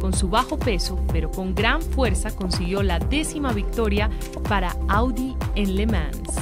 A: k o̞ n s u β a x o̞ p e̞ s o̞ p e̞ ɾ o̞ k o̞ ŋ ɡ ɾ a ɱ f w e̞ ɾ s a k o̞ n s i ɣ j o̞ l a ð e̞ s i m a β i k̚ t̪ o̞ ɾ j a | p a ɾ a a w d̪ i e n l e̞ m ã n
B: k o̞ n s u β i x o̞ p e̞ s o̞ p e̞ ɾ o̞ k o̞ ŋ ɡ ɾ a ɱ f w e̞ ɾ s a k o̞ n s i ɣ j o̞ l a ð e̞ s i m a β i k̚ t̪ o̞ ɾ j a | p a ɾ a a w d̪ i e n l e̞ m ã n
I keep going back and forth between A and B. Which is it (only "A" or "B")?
A